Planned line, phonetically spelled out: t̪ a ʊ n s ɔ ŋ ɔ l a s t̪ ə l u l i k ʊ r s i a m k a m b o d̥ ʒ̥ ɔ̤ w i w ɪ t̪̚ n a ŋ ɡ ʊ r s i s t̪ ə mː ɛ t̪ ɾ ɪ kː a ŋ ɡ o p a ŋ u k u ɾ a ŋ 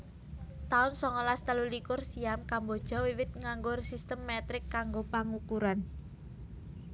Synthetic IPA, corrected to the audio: t̪ a ʊ n s ɔ ŋ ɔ l a s t̪ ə l u l i k ʊ r s i a m k a m b o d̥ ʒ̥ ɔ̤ w i w ɪ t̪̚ ŋ a ŋ ɡ ʊ r s i s t̪ ə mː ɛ t̪ ɾ ɪ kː a ŋ ɡ o p a ŋ u k u ɾ a n